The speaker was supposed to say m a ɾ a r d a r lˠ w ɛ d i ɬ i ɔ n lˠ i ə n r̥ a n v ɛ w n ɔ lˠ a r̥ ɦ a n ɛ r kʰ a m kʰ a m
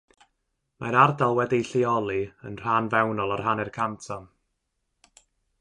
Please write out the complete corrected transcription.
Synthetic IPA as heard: m a ɾ a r d a lˠ w ɛ d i ɬ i ɔ lˠ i ə n r̥ a n v ɛ w n ɔ lˠ a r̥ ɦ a n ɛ r kʰ a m tʰ a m

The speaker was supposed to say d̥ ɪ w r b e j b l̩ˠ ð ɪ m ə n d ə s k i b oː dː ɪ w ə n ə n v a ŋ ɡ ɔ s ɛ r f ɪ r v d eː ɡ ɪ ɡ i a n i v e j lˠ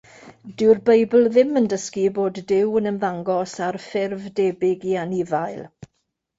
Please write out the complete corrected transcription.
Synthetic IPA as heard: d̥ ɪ w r b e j b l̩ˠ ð ɪ m ə n d ə s k i b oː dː ɪ w ə n ə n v a ŋ ɡ ɔ s a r f ɪ r v d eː b ɪ ɡ i a n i v a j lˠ

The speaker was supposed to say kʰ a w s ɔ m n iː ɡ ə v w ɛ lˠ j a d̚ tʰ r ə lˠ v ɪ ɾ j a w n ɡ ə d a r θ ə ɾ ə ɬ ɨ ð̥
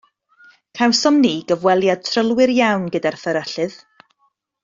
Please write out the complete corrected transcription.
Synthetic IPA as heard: kʰ a w s ɔ m n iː ɡ ə v w ɛ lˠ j a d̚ tʰ r ə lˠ w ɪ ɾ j a w n ɡ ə d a r θ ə ɾ ə ɬ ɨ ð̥

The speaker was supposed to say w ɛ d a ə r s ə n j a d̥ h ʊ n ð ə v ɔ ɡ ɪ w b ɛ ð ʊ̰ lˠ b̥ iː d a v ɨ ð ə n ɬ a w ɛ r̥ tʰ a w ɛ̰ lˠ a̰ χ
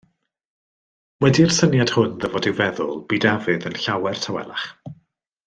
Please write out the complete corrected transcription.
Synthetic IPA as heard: w ɛ d i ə r s ə n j a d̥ h ʊ n ð ə v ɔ d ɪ w v ɛ ð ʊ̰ lˠ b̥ iː d a v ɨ ð ə n ɬ a w ɛ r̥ tʰ a w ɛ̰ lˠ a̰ χ

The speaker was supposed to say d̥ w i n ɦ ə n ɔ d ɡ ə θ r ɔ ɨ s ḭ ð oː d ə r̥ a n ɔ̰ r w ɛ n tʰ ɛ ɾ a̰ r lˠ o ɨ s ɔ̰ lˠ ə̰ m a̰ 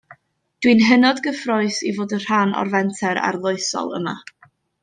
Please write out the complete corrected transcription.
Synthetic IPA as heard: d̥ w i n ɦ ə n ɔ d ɡ ə f r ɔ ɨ s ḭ v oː d ə r̥ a n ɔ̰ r v ɛ n tʰ ɛ ɾ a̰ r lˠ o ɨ s ɔ̰ lˠ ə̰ m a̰

